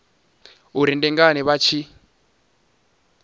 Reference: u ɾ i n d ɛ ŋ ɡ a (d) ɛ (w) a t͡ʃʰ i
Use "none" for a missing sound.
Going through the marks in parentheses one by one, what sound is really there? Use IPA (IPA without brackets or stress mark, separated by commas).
n, β